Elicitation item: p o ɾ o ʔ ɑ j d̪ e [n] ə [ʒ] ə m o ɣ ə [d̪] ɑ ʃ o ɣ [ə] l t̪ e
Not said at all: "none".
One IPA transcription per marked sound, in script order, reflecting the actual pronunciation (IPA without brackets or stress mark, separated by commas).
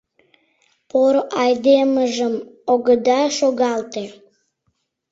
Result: m, ʒ, d̪, ɑ